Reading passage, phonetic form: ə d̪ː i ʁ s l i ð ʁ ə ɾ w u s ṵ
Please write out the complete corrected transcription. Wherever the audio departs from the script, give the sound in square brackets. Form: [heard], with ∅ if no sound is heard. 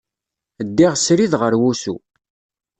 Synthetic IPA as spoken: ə d̪ː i ʁ s [ɾ] i ð ʁ ə ɾ w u s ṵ